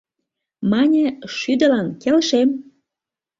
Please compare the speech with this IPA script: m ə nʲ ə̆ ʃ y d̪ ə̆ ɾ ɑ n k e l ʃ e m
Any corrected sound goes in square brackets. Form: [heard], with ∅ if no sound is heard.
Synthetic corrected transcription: m [ɑ] nʲ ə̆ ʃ y d̪ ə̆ [l] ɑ n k e l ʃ e m